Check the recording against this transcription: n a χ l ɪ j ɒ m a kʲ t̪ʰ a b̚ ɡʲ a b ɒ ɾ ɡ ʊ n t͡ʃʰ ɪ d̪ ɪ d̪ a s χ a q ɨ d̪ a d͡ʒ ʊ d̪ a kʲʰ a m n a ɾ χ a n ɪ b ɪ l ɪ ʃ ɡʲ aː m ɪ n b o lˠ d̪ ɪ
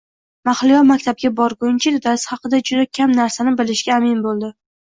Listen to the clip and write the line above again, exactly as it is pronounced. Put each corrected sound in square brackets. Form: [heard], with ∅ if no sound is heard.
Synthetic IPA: [m] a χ l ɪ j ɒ m a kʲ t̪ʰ a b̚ ɡʲ a b ɒ ɾ ɡ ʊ n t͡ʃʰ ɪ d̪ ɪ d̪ a s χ [ɑ] q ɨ d̪ a d͡ʒ ʊ d̪ a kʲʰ a m n a ɾ [s] a n ɪ b ɪ l ɪ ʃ ɡʲ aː m ɪ n b o lˠ d̪ ɪ

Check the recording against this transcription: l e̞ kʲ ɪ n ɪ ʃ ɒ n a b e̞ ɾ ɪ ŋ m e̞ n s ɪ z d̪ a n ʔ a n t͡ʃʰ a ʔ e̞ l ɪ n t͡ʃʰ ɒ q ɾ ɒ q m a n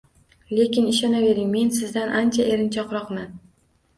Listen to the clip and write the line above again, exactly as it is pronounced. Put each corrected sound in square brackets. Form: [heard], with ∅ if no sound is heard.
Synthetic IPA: l e̞ kʲ ɪ n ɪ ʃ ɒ n a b e̞ ɾ ɪ ŋ m e̞ n s ɪ z d̪ a n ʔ a n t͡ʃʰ a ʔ e̞ [ɾ] ɪ n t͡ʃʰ ɒ q ɾ ɒ q m a n

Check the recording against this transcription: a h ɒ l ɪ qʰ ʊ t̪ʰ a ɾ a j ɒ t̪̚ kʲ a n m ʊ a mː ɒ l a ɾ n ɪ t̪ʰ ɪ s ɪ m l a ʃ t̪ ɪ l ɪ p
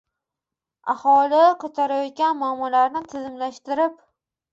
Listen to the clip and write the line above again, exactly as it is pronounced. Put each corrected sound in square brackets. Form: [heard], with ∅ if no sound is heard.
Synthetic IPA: a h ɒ l ɪ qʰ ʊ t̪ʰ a ɾ a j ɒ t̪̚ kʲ a n m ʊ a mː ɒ l a ɾ n ɪ t̪ʰ ɪ [z] ɪ m l a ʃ t̪ ɪ [ɾ] ɪ p

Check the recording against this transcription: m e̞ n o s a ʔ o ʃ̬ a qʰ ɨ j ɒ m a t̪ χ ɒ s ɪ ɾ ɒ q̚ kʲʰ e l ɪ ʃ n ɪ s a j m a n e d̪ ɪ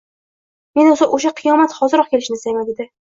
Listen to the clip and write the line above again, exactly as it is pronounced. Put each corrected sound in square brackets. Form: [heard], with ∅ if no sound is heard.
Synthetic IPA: m e̞ n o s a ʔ o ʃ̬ a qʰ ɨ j ɒ m a t̪ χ ɒ [z] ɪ ɾ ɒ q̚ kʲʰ e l ɪ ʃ n ɪ s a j m a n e d̪ ɪ

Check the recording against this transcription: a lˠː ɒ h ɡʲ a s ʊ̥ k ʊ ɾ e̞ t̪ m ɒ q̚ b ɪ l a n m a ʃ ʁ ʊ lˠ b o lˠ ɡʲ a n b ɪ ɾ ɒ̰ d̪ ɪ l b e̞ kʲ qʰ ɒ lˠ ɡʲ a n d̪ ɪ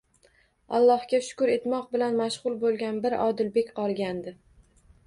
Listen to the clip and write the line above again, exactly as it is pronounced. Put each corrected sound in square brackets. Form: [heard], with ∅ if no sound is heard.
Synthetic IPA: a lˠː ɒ h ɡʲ a [ʃ] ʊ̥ k ʊ ɾ e̞ t̪ m ɒ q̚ b ɪ l a n m a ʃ ʁ ʊ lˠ b o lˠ ɡʲ a n b ɪ ɾ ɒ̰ d̪ ɪ l b e̞ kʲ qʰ ɒ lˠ ɡʲ a n d̪ ɪ

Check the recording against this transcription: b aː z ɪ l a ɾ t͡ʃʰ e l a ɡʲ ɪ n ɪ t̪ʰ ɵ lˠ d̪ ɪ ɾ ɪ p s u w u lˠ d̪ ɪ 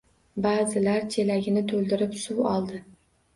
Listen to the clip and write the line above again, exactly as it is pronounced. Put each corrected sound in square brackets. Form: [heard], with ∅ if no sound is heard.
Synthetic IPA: b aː z ɪ l a ɾ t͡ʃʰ e l a ɡʲ ɪ n ɪ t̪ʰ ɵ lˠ d̪ ɪ ɾ ɪ p s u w [ɒ] lˠ d̪ ɪ

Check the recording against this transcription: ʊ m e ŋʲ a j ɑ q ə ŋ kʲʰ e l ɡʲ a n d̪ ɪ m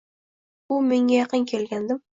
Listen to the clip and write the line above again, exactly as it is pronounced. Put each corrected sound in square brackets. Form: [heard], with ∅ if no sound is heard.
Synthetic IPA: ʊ m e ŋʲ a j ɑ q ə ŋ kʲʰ e l ɡʲ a n d̪ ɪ m

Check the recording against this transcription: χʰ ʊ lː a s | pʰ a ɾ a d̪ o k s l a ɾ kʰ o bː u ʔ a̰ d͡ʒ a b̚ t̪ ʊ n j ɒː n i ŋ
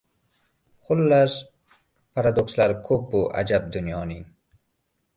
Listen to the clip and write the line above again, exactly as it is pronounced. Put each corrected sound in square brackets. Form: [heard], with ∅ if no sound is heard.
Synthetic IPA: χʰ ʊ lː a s | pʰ a ɾ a d̪ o k s l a ɾ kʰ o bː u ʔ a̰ d͡ʒ a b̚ [d̪] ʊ n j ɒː n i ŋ

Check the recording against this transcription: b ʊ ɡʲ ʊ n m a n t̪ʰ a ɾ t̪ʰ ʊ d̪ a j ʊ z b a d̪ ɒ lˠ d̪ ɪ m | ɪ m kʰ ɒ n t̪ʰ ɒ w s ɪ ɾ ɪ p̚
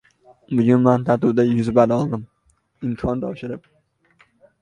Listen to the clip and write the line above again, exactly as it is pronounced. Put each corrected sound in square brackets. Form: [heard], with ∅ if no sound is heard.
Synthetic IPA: b ʊ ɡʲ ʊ n m a n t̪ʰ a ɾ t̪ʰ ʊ d̪ a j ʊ z b a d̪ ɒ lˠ d̪ ɪ m | ɪ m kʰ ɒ n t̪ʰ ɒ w [ʃ] ɪ ɾ ɪ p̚

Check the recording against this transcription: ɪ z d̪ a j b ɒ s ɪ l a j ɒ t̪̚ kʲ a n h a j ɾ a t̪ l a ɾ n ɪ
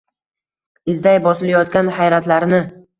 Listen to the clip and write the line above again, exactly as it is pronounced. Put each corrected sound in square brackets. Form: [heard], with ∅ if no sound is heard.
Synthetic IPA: ɪ z d̪ a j b ɒ s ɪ l a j ɒ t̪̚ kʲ a n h a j ɾ a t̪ l a ɾ n ɪ

